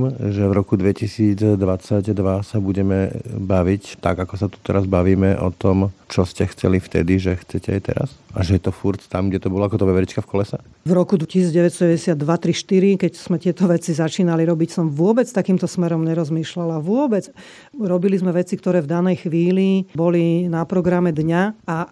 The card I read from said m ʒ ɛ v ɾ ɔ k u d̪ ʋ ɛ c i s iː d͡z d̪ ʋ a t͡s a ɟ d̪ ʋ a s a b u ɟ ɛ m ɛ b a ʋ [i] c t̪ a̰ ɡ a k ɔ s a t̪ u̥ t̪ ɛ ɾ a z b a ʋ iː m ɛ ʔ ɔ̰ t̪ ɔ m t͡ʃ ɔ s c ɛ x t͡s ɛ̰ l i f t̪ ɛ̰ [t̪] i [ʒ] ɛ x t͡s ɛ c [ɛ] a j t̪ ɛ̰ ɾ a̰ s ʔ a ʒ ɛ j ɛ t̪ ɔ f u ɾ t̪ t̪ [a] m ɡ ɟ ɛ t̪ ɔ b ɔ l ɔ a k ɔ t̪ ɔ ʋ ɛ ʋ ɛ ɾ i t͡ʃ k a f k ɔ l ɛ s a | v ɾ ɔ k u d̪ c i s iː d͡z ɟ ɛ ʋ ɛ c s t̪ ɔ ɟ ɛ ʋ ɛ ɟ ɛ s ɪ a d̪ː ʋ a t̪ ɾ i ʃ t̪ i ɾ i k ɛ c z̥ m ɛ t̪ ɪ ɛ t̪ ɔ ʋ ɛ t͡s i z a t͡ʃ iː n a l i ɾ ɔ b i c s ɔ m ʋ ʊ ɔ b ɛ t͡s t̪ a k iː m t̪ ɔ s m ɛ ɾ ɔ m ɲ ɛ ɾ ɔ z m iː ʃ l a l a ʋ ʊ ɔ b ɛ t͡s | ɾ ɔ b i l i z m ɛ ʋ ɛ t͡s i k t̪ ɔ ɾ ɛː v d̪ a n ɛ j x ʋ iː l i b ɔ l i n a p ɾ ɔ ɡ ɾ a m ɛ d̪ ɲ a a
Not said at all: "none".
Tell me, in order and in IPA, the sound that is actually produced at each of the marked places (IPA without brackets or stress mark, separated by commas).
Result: i, d̪, ʒ, ɛ, a